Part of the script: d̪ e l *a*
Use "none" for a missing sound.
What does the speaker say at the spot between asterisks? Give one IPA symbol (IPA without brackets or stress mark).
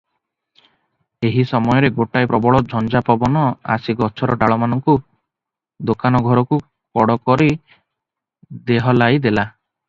a